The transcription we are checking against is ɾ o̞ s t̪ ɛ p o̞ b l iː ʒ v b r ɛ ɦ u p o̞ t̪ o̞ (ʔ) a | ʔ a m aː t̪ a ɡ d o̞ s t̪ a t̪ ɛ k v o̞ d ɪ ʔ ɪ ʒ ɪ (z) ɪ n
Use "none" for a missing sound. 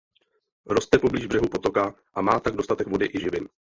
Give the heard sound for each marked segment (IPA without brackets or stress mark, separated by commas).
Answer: k, v